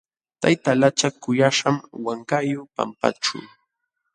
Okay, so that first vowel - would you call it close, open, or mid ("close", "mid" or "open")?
open